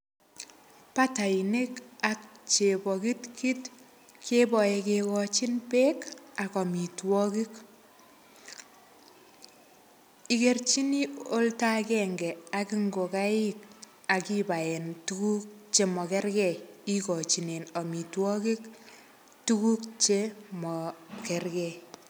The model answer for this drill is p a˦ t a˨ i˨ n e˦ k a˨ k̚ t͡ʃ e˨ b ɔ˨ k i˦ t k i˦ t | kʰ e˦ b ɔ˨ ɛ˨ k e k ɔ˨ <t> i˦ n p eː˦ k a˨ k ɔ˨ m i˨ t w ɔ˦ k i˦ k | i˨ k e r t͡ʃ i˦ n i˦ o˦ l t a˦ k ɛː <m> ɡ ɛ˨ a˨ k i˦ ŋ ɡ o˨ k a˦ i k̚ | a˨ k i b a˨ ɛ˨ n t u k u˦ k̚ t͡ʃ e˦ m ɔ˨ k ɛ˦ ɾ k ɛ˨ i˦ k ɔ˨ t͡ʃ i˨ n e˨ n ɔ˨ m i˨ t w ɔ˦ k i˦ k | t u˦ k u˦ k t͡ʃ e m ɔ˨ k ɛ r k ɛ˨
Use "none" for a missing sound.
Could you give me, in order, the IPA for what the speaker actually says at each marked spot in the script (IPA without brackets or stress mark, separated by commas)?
t͡ʃ, ŋ